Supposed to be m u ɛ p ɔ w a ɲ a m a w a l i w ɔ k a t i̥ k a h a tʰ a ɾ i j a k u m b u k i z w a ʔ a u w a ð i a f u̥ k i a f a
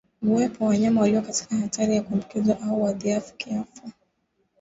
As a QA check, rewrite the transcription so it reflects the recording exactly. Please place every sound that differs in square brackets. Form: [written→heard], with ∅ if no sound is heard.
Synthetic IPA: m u ɛ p ɔ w a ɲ a m a w a l i w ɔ k a t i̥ k a h a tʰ a ɾ i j a k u m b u k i z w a ʔ a u w a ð i a f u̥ k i a f a